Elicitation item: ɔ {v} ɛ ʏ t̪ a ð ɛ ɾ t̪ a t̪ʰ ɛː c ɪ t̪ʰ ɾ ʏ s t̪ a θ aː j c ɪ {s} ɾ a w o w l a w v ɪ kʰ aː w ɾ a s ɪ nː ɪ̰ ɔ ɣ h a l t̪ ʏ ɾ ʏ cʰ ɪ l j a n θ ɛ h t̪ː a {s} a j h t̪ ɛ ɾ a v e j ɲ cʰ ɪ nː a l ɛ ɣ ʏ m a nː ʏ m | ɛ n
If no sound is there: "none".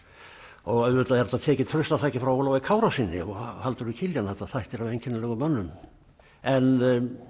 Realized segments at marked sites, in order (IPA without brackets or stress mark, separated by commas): ɣ, f, θ